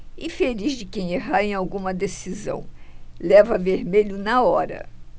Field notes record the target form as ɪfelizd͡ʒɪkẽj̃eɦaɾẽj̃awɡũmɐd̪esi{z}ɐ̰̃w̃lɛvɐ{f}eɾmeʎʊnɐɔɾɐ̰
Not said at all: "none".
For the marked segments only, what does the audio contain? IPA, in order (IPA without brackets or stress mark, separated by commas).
z, v